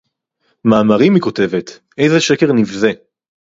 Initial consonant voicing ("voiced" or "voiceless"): voiced